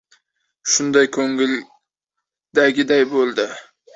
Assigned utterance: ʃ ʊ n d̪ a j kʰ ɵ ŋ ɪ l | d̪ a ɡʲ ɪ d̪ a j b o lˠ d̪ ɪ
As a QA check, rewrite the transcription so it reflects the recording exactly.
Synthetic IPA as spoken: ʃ ʊ n d̪ a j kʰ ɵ ŋ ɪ l | d̪ a ɡʲ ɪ d̪ a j b o lˠ d̪ ɪ